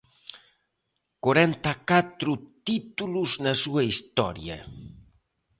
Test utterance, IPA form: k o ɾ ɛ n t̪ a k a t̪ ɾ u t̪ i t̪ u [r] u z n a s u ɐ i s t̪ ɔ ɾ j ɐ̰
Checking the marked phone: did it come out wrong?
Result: yes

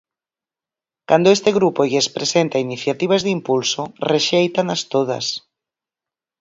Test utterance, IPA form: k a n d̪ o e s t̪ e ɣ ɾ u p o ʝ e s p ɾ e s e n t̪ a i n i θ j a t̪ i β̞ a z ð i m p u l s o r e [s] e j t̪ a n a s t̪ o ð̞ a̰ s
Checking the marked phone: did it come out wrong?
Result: yes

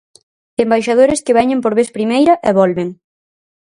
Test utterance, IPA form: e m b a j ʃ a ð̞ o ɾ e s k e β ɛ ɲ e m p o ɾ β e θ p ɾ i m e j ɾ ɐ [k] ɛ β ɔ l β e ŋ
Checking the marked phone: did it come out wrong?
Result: yes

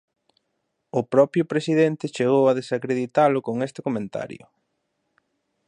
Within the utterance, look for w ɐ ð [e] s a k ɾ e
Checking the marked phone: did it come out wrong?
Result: no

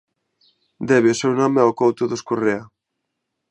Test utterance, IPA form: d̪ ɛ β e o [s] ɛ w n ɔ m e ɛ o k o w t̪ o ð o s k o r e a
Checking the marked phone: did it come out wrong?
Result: no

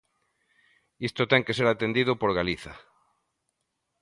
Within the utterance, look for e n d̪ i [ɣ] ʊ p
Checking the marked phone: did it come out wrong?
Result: yes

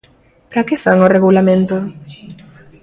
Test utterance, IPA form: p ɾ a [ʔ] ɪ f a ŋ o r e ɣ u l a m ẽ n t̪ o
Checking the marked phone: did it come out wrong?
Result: yes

